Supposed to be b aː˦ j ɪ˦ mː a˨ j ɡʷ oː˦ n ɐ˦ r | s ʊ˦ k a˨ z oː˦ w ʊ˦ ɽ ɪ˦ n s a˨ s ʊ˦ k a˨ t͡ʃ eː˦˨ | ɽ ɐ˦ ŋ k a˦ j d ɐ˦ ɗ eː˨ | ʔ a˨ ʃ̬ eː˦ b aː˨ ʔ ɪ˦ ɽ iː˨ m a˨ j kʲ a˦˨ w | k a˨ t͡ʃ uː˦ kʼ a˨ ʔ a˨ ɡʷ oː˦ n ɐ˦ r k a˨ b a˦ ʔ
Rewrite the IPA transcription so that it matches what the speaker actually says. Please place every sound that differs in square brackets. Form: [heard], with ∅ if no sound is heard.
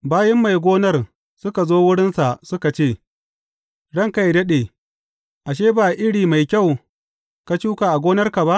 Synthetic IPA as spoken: b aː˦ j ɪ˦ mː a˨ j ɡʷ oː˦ n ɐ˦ r | s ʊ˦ k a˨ z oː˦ w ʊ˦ ɽ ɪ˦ n s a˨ s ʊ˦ k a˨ t͡ʃ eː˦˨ | ɽ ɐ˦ ŋ k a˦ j d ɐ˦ ɗ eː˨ | ʔ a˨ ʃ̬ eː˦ b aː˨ ʔ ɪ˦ ɽ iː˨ m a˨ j kʲ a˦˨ w | k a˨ t͡ʃ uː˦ [k] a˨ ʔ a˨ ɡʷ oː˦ n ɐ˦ r k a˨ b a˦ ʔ